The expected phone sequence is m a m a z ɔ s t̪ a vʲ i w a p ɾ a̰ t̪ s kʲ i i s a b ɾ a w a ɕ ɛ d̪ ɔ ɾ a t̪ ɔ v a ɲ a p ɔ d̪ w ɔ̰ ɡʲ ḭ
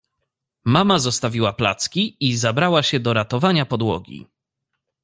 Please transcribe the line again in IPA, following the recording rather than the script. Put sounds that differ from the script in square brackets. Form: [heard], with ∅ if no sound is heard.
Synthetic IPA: m a m a z ɔ s t̪ a vʲ i w a p [l] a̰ t̪ s kʲ i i [z] a b ɾ a w a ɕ ɛ d̪ ɔ ɾ a t̪ ɔ v a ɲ a p ɔ d̪ w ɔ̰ ɡʲ ḭ